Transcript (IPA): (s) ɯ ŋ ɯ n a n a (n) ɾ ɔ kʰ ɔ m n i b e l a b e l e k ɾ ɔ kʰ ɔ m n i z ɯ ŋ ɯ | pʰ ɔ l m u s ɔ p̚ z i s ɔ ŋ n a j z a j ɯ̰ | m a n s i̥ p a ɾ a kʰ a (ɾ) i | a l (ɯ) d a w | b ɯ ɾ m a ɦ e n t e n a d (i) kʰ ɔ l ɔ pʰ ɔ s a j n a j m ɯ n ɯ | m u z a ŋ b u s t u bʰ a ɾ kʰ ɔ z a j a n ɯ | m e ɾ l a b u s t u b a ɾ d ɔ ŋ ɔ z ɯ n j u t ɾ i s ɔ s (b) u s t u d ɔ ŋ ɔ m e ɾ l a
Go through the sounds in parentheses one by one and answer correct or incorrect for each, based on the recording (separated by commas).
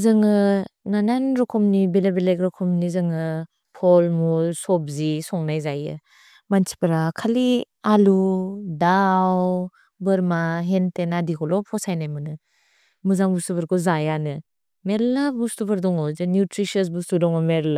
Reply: incorrect, correct, incorrect, incorrect, correct, correct